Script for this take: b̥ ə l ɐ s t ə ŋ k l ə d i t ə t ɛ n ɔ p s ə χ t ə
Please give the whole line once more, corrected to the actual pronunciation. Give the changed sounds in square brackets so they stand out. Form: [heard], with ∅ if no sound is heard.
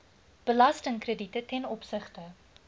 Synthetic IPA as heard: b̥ ə l ɐ s t ə ŋ k [r] ə d i t ə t ɛ n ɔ p s ə χ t ə

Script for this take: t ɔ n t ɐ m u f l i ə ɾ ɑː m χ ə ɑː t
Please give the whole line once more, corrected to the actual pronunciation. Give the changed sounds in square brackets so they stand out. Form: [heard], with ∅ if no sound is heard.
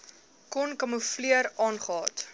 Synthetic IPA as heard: [k] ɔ n [k] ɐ m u f l i ə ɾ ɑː [n] χ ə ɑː t

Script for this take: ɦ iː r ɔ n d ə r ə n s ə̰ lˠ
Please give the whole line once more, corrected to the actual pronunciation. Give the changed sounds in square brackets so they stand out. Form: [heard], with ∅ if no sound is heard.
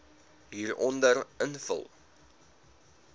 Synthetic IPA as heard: ɦ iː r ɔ n d ə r ə n [f] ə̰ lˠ

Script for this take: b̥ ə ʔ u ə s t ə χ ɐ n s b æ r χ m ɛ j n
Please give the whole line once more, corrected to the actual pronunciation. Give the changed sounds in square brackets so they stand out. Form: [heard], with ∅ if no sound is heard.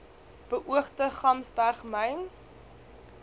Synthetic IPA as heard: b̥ ə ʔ u ə [χ] t ə χ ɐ [m] s b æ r χ m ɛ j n

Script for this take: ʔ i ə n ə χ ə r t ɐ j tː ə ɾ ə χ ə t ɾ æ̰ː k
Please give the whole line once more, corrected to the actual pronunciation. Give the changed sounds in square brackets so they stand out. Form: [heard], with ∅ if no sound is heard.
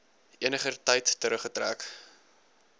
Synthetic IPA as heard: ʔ i ə n ə χ ə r t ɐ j tː ə ɾ ə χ ə t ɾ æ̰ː k

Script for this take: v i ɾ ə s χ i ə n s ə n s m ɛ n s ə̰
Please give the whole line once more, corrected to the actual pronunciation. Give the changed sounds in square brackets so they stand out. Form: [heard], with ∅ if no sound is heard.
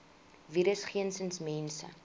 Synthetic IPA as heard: v i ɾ ə s χ i ə n s ə n s m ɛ n s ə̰

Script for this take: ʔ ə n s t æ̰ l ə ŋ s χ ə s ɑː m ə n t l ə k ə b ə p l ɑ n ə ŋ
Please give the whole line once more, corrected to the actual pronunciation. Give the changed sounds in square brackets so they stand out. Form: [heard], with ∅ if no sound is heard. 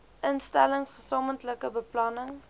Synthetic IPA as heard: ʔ ə n s t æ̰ l ə ŋ s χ ə s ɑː m ə n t l ə k ə b ə p l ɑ n ə ŋ

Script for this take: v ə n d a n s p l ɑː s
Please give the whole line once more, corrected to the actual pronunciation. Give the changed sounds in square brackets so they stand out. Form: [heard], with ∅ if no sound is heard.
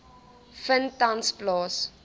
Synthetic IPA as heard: [f] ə n [t] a n s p l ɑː s

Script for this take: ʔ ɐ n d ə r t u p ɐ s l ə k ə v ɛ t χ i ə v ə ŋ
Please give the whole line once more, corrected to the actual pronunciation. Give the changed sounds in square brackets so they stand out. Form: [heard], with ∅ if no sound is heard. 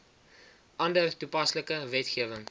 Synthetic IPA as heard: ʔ ɐ n d ə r t u p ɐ s l ə k ə v ɛ t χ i ə v ə ŋ

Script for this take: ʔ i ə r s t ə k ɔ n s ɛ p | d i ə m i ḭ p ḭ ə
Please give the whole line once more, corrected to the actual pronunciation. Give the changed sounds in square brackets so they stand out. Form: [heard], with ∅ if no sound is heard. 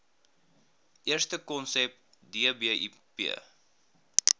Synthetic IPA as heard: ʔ i ə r s t ə k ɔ n s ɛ p | d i ə [b] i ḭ p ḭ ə

